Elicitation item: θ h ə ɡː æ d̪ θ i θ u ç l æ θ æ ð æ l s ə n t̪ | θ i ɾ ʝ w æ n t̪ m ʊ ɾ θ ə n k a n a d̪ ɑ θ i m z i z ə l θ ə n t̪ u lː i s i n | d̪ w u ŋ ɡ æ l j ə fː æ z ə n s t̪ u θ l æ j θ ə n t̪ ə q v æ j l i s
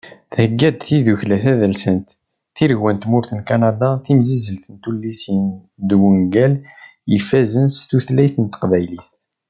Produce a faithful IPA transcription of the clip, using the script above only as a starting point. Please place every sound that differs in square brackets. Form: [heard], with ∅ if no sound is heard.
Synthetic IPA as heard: θ h ə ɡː æ d̪ θ i [ð] u ç l æ θ æ ð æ l s ə n t̪ | θ i ɾ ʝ w æ n t̪ m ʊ ɾ θ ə n k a n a d̪ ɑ θ i m z i z ə l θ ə n t̪ u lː i s i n | d̪ w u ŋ ɡ æ l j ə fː æ z ə n s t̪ u θ l æ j θ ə n t̪ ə q v æ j l i [θ]